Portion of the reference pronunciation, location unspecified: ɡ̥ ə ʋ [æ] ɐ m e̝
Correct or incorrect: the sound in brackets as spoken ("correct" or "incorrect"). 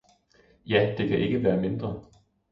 incorrect